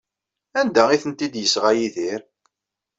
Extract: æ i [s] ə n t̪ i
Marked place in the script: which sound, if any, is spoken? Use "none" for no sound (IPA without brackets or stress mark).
θ